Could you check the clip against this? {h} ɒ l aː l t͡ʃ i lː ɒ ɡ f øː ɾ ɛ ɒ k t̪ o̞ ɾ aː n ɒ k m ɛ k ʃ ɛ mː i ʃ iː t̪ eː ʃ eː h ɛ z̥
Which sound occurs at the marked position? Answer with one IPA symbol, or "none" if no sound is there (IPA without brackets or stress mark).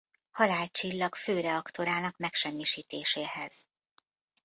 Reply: h